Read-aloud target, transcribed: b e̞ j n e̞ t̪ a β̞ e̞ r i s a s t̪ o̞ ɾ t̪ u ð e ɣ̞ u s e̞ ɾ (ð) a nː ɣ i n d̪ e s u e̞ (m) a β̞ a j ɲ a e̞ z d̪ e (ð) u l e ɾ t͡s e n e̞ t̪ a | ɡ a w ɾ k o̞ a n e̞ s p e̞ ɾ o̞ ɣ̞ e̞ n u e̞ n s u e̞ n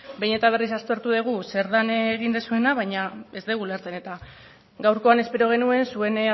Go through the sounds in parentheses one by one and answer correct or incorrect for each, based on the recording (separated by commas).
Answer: correct, incorrect, incorrect